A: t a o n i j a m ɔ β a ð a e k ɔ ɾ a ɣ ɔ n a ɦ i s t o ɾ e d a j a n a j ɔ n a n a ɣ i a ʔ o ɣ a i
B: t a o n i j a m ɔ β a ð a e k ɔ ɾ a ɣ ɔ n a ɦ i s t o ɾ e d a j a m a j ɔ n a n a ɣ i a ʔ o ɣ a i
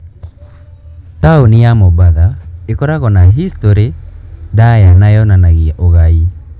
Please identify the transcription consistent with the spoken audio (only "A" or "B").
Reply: A